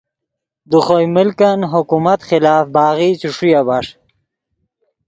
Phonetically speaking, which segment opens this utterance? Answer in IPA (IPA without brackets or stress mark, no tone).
d̪